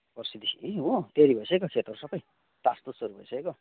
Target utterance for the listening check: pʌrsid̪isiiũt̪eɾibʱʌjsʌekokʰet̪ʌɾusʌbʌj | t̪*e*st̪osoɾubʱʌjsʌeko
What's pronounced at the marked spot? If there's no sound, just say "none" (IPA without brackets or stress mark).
a